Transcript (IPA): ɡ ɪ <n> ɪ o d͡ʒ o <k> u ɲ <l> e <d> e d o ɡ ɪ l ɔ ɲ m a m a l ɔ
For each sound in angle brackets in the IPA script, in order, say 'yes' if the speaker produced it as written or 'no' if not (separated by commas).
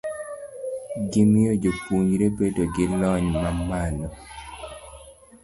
no, no, no, no